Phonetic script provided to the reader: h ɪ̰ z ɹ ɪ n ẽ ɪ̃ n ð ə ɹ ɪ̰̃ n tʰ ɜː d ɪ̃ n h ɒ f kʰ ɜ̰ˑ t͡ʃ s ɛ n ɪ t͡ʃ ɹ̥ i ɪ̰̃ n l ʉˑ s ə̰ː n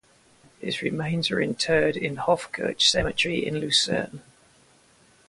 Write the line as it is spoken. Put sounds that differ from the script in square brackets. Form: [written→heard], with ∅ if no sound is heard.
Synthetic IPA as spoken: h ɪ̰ z ɹ ɪ [n→m] ẽ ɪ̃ n [ð→z] ə ɹ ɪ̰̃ n tʰ ɜː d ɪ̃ n h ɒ f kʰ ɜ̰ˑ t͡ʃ s ɛ [n→m] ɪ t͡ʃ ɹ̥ i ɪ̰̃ n l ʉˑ s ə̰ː n

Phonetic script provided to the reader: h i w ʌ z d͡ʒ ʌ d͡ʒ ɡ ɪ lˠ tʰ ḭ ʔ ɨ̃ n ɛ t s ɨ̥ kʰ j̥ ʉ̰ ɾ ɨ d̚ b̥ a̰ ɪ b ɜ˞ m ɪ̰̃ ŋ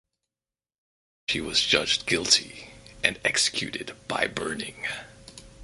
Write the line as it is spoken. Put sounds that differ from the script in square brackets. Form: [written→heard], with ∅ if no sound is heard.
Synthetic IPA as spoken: [h→ʃ] i w ʌ z d͡ʒ ʌ d͡ʒ ɡ ɪ lˠ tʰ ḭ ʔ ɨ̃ n ɛ [t→k] s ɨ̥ kʰ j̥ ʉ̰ ɾ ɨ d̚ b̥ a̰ ɪ b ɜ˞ [m→n] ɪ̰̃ ŋ

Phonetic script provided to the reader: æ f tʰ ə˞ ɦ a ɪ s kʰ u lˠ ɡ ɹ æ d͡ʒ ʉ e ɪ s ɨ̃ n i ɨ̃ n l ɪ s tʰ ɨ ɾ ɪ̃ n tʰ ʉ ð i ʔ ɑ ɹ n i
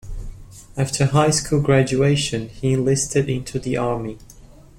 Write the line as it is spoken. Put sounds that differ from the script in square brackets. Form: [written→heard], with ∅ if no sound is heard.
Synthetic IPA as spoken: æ f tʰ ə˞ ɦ a ɪ s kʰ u lˠ ɡ ɹ æ d͡ʒ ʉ e ɪ [s→ʃ] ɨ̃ n i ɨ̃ n l ɪ s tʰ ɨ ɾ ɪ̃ n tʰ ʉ ð i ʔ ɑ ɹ [n→m] i

